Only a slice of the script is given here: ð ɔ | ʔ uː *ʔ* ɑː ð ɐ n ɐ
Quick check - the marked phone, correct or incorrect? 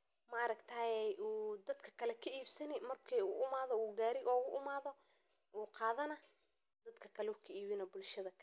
incorrect